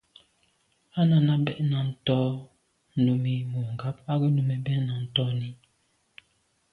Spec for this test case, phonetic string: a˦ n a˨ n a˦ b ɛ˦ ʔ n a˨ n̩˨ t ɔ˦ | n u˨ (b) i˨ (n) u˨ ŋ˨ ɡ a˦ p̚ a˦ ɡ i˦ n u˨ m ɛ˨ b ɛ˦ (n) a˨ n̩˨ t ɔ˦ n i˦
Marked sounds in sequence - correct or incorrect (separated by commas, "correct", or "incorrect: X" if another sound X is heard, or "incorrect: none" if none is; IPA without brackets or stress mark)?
incorrect: m, incorrect: m, correct